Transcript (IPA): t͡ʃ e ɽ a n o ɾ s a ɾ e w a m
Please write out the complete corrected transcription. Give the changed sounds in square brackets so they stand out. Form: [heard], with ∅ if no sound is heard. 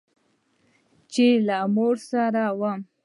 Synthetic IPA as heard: t͡ʃ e [l] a [m] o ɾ s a ɾ [a] w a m